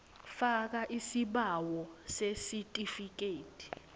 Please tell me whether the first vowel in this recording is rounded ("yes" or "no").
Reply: no